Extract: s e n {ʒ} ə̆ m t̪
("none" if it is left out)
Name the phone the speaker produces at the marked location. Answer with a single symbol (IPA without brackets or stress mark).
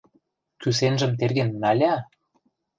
ʒ